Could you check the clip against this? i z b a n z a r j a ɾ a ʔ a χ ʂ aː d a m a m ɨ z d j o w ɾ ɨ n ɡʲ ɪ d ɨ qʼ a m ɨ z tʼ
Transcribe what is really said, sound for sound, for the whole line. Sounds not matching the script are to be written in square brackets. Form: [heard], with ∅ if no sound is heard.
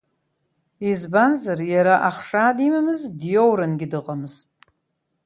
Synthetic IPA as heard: i z b a n z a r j a ɾ a ʔ a χ ʂ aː d [i] m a m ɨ z d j o w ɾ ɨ n ɡʲ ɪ d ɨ qʼ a m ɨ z tʼ